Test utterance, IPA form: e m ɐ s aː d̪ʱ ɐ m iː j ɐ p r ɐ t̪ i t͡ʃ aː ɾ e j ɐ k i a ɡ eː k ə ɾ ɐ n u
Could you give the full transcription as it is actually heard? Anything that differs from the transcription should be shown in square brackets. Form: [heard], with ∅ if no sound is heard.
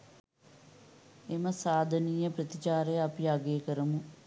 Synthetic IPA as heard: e m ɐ s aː d̪ʱ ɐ [n] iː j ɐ p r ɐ t̪ i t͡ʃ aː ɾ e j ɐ [p] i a ɡ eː k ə ɾ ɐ [m] u